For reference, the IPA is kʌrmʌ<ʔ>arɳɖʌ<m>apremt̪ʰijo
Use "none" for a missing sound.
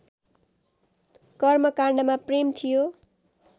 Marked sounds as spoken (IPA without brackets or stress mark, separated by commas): k, m